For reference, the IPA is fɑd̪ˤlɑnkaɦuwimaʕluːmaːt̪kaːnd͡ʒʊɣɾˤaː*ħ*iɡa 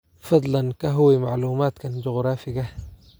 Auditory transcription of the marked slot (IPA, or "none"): f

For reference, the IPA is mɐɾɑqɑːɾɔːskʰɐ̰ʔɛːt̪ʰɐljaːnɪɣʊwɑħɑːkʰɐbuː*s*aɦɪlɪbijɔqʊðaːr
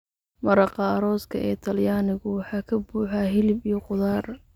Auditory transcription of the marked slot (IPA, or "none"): ħ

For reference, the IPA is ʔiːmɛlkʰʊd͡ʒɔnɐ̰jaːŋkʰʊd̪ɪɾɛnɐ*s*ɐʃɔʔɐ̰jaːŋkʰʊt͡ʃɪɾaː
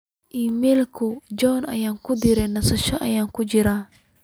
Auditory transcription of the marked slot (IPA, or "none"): s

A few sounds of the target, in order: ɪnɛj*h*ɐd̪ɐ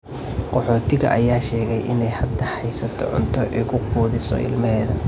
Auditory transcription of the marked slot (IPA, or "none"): h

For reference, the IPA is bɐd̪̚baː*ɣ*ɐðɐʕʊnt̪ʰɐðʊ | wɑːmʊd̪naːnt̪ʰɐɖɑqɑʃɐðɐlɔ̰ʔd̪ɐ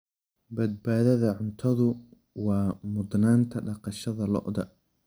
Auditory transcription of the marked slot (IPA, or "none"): ð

